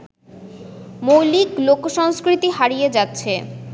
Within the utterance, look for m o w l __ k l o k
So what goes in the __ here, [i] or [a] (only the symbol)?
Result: i